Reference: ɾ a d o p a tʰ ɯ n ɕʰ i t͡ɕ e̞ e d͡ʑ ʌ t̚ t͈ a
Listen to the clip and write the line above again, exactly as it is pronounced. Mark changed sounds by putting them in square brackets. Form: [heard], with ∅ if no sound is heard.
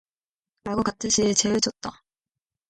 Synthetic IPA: ɾ a [ɡ] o [k] a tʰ ɯ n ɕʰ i t͡ɕ e̞ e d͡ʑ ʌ t̚ t͈ a